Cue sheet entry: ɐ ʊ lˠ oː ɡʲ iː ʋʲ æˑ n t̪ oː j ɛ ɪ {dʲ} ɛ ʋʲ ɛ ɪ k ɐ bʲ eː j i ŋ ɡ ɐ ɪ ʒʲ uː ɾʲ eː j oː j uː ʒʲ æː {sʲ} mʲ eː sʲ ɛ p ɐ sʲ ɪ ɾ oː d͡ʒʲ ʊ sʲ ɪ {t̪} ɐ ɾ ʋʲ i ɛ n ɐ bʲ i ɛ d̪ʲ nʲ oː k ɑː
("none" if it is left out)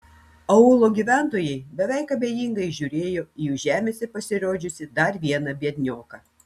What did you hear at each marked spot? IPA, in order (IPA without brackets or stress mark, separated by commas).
bʲ, none, d̪